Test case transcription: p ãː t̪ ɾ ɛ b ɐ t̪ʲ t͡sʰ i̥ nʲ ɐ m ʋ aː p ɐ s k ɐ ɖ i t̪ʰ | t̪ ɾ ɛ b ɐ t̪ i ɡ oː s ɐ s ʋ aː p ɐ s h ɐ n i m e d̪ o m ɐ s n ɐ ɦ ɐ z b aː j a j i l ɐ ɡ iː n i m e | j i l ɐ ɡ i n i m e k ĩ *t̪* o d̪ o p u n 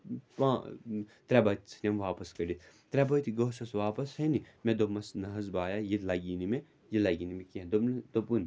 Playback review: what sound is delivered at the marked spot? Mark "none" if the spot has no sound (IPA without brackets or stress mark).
d̪